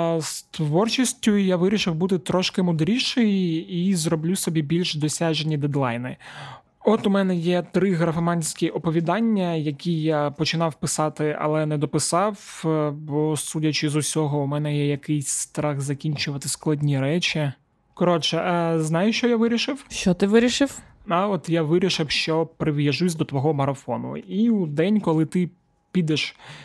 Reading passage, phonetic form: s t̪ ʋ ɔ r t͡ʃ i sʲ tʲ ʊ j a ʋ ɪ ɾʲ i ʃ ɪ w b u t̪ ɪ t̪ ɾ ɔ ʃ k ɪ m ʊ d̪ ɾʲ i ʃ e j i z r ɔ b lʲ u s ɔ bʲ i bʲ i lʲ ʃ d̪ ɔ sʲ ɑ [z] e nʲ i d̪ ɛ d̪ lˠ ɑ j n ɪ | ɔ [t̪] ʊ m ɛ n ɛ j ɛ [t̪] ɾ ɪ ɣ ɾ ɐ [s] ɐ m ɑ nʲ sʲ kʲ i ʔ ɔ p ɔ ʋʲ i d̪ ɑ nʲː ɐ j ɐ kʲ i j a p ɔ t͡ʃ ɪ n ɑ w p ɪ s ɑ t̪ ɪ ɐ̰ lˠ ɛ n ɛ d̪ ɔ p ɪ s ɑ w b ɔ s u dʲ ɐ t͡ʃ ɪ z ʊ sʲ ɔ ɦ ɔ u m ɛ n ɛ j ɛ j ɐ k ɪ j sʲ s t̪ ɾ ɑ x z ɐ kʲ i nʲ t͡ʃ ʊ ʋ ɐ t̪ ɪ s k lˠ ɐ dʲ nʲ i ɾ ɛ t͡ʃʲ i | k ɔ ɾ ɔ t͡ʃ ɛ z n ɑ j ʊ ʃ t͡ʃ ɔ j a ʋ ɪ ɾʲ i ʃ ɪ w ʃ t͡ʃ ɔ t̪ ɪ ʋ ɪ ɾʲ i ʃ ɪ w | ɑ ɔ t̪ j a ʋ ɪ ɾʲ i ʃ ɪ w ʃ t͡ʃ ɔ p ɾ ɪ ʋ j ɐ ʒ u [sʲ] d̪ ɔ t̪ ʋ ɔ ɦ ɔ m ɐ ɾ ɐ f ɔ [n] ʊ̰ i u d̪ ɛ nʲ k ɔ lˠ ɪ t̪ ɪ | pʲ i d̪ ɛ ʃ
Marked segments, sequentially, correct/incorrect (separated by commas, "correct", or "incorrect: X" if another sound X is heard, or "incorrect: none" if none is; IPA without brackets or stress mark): incorrect: ʒ, correct, correct, incorrect: f, correct, correct